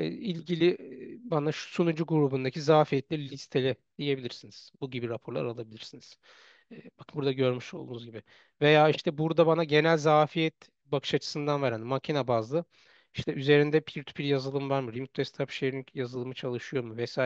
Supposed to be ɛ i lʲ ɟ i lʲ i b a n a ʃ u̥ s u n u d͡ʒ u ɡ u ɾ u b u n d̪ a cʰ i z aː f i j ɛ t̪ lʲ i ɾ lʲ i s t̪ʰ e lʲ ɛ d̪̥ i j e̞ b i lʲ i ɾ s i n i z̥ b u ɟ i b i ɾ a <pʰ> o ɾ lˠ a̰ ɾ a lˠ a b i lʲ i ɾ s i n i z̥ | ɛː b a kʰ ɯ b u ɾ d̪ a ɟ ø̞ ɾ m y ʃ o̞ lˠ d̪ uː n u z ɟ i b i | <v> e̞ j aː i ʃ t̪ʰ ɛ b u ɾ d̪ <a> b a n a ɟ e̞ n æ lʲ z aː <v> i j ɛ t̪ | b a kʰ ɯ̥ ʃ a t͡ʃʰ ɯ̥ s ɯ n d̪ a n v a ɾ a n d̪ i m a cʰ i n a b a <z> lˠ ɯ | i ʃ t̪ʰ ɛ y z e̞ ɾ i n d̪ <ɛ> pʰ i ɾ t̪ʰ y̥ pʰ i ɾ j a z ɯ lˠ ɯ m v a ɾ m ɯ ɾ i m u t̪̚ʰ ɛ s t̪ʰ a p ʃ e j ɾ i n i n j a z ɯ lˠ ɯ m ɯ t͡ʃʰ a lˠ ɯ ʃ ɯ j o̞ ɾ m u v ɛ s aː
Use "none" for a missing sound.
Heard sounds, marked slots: pʰ, v, a, f, z, ɛ

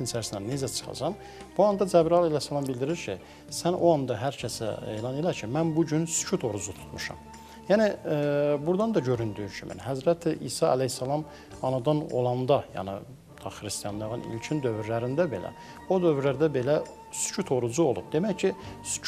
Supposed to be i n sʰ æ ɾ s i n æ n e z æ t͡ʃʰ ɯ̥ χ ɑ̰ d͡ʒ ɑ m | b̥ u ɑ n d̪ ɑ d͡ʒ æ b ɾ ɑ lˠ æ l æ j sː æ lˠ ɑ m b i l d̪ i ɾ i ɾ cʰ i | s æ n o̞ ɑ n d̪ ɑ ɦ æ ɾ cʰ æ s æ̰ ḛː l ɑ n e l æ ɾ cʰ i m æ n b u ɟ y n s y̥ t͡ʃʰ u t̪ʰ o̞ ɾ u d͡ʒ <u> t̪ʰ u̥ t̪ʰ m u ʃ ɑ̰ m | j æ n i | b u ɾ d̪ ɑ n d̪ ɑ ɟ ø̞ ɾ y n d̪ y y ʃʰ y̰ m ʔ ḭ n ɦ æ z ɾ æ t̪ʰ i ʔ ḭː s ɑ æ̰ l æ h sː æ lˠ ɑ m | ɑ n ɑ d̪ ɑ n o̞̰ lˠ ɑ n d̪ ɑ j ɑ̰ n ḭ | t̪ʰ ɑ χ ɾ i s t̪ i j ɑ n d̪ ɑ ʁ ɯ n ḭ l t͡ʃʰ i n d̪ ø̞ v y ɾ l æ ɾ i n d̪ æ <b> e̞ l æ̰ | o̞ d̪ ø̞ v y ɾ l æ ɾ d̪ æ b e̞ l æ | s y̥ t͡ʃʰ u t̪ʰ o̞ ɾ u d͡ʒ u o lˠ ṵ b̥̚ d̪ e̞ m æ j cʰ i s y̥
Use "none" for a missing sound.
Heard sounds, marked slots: u, b

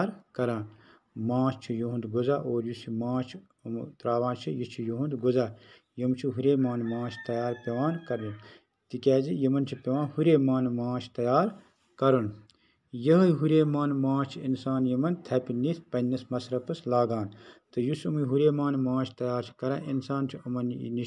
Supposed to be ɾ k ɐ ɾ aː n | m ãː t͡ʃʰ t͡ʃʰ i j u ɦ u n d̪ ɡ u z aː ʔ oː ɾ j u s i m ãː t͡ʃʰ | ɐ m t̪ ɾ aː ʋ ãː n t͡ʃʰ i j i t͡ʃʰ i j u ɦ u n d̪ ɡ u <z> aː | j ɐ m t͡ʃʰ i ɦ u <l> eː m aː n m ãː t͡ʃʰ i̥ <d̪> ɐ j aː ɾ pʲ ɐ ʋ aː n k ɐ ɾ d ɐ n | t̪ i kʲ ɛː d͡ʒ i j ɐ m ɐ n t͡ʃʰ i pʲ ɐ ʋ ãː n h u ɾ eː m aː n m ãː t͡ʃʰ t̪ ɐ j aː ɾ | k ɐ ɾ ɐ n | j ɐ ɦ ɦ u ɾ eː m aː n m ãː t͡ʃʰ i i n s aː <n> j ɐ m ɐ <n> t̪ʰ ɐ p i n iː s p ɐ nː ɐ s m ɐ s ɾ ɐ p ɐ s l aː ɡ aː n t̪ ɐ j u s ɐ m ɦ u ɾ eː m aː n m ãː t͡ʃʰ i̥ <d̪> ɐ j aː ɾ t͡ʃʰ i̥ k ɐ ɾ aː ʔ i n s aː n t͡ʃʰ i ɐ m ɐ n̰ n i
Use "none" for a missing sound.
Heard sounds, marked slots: z, ɾ, t̪, n, n, t̪

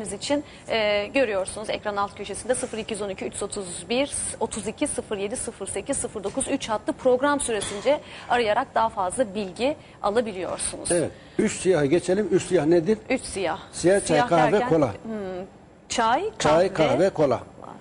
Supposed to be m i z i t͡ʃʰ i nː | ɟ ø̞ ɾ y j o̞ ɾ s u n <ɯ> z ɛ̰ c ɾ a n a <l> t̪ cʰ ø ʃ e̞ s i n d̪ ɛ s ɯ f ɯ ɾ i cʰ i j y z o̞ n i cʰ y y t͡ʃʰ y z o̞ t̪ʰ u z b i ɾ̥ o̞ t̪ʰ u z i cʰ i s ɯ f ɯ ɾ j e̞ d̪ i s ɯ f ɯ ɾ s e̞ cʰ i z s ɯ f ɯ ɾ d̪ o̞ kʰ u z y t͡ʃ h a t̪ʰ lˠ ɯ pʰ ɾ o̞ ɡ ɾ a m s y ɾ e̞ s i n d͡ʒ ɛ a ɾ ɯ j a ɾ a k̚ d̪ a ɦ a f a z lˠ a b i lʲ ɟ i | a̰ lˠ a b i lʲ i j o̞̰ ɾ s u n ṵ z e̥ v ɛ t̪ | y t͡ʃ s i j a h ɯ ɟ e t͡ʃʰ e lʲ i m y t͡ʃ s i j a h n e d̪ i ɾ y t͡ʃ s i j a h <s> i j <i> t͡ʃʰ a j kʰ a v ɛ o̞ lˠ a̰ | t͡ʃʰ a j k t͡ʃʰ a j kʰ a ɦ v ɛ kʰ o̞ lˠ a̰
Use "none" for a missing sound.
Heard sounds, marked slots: u, l, s, a

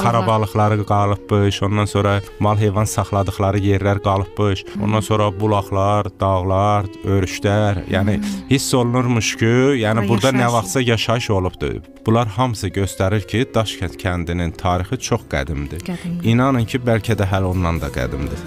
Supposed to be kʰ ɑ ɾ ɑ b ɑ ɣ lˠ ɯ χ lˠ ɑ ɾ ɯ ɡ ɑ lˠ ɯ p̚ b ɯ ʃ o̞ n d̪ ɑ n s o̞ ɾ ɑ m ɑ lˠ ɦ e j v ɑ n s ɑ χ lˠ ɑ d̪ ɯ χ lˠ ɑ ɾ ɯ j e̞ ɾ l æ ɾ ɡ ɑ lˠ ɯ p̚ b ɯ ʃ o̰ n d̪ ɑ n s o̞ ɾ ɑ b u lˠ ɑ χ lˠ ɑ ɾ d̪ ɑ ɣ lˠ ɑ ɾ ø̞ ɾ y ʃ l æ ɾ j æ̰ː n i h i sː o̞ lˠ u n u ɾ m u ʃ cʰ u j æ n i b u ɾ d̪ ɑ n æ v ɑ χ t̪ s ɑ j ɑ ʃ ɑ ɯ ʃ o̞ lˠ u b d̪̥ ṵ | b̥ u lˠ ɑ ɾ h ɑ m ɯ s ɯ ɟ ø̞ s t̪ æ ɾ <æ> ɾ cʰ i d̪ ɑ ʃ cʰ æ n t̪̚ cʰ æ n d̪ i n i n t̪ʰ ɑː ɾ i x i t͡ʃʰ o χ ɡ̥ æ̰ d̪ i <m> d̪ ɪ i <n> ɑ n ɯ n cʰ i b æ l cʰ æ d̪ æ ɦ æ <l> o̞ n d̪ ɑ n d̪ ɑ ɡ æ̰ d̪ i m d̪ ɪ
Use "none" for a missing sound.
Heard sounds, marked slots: i, m, n, l

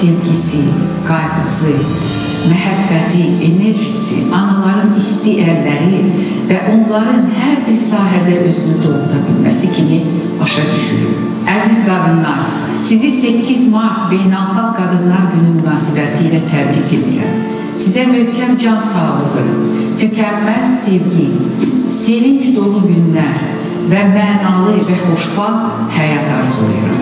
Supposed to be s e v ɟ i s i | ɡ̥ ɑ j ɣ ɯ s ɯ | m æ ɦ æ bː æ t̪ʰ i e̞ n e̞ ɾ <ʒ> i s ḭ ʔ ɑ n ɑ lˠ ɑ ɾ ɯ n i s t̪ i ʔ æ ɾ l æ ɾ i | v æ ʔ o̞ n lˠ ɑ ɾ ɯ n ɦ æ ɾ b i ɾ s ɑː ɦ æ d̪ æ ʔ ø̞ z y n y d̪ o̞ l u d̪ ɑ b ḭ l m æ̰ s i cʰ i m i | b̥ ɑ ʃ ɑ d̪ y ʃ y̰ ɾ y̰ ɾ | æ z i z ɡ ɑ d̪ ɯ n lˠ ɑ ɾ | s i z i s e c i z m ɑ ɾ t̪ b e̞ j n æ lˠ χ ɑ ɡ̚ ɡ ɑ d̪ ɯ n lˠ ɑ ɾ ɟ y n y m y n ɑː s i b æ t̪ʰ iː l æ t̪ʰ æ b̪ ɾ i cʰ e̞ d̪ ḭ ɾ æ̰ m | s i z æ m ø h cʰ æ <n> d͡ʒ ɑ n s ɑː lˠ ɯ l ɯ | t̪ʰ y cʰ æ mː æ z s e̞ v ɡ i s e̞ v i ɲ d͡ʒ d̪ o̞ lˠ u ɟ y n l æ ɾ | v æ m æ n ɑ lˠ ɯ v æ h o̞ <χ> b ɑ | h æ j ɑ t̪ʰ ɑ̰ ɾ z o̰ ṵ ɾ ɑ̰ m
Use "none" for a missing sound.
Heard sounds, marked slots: ʒ, m, ʃ

